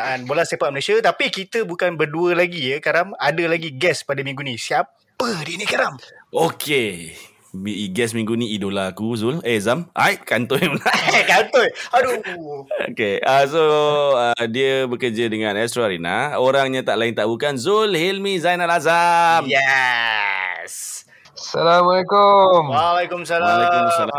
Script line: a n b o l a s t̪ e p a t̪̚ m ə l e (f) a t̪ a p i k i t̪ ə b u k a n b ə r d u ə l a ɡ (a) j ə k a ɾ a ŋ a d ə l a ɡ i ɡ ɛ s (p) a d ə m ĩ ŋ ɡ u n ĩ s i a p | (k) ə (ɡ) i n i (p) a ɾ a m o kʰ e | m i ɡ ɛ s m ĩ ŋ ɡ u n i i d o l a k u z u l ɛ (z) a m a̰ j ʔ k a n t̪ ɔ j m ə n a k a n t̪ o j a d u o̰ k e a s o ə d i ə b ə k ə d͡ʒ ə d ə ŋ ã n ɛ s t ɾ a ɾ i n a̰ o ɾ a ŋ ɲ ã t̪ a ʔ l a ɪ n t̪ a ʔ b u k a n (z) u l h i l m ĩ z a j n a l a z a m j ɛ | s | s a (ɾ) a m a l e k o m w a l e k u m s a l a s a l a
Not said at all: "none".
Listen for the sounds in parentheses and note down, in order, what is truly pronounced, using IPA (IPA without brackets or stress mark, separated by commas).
s, i, p, p, d, k, z, z, l